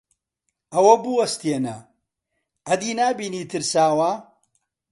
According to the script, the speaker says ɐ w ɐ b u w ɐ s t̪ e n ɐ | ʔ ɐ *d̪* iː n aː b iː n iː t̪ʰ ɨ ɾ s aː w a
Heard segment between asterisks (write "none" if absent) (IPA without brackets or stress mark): d̪